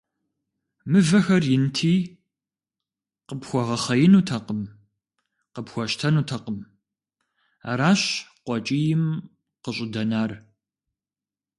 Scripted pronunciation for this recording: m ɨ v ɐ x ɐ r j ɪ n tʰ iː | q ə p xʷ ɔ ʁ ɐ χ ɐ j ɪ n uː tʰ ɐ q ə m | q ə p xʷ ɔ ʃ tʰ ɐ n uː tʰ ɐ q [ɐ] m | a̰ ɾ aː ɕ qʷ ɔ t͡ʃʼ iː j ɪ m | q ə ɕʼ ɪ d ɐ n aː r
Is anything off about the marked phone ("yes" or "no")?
yes